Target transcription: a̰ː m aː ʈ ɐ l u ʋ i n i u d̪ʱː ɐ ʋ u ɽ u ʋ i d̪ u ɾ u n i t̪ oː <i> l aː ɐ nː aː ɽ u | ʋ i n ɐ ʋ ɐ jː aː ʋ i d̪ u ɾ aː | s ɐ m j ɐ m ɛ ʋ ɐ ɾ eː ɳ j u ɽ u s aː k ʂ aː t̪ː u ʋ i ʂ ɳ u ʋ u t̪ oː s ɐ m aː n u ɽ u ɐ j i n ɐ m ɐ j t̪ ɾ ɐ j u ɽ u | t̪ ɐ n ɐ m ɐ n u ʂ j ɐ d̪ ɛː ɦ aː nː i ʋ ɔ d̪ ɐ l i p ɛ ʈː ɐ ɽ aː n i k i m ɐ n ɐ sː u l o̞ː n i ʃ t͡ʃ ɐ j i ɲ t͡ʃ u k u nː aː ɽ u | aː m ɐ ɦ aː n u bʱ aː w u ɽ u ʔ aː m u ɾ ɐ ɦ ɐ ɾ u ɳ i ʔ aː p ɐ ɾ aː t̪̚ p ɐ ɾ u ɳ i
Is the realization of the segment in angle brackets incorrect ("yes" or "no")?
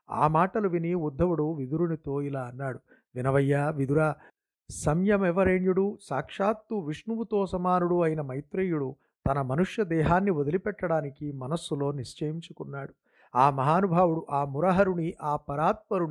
no